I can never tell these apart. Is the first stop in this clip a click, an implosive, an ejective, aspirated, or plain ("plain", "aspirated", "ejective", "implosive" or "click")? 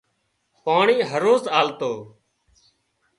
plain